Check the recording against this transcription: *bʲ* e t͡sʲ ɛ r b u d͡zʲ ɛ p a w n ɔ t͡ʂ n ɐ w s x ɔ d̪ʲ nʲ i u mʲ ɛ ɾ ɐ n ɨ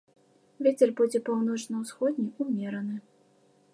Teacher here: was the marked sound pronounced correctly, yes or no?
no